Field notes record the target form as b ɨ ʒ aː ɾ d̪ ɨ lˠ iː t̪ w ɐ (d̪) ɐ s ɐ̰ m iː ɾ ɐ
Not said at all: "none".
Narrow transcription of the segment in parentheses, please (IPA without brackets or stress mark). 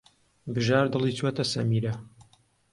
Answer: t̪